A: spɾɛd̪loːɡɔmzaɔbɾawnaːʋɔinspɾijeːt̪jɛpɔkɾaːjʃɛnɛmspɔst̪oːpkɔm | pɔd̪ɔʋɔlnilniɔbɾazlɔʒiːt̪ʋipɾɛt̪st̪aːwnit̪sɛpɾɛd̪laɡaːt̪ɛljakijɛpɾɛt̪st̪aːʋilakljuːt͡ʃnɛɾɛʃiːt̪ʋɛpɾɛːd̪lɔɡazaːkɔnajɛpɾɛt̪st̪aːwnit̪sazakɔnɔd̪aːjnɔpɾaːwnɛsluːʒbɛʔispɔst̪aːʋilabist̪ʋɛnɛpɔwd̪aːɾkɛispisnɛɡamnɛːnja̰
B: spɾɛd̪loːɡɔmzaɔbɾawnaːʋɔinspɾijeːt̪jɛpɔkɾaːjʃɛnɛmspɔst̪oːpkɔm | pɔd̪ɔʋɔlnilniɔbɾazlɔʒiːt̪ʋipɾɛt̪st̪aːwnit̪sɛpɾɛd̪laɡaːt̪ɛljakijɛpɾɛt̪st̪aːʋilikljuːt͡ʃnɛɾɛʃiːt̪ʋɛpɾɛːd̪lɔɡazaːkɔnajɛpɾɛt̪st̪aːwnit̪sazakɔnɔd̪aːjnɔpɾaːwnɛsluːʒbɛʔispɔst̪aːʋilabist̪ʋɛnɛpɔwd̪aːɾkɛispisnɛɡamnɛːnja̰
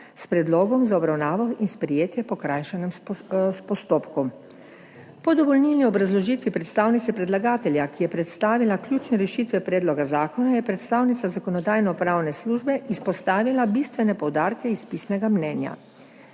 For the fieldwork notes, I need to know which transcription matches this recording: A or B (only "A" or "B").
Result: A